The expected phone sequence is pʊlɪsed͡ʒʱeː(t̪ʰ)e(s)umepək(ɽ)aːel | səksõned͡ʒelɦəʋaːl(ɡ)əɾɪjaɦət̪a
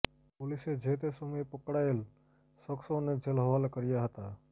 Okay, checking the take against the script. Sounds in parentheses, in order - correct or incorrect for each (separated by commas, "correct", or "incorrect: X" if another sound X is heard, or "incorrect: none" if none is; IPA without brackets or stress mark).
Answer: incorrect: t̪, correct, correct, incorrect: k